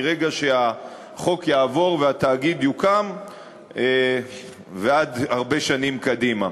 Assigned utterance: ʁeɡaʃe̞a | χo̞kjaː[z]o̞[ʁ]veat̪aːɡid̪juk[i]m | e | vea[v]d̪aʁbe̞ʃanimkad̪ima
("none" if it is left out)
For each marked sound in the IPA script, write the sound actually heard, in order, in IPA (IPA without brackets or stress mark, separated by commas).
v, ʁ, a, none